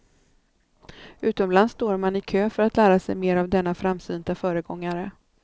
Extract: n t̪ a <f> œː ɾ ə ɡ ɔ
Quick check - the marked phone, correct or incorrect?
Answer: correct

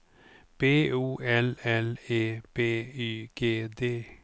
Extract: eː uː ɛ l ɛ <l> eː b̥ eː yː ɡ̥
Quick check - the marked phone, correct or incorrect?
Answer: correct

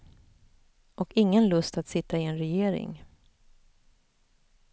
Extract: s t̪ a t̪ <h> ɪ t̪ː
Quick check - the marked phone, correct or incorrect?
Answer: incorrect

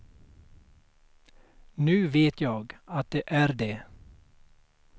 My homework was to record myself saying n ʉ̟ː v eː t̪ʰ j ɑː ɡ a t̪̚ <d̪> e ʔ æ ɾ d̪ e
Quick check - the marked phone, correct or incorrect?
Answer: correct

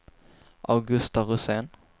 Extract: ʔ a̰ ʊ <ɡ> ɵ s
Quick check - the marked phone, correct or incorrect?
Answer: correct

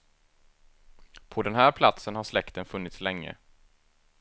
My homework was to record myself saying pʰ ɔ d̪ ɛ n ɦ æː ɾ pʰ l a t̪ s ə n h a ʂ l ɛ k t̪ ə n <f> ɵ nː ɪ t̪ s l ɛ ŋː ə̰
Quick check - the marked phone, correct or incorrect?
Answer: correct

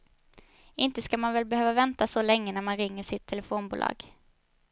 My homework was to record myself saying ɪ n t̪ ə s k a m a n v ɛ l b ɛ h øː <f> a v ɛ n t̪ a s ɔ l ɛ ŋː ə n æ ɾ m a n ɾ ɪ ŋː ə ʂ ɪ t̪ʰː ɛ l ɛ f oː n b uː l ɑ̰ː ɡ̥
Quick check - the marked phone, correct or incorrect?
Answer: incorrect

